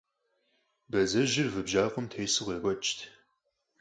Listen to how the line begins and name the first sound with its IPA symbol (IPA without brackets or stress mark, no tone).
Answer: b